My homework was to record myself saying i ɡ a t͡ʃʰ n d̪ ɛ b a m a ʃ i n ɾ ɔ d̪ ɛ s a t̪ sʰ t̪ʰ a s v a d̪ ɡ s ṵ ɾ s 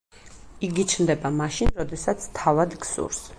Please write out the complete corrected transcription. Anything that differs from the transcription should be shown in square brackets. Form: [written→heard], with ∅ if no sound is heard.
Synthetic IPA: i ɡ [a→i] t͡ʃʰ n d̪ ɛ b a m a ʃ i n ɾ ɔ d̪ ɛ s a t̪ sʰ t̪ʰ a [s→∅] v a d̪ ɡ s ṵ ɾ s